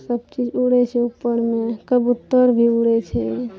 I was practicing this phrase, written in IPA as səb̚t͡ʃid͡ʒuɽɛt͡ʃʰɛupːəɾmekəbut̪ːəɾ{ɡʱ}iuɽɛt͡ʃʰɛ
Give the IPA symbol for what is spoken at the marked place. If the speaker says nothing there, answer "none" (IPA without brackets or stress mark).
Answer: bʱ